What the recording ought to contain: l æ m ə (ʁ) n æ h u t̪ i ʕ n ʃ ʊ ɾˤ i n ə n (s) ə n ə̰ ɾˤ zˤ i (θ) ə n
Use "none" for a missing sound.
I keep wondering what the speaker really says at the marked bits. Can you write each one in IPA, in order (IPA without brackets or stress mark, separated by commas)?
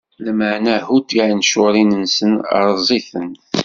ʕ, s, θ